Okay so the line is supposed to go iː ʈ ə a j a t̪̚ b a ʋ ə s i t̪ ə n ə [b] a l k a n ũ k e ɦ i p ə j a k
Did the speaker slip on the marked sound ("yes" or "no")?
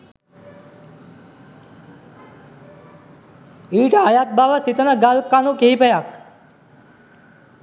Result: yes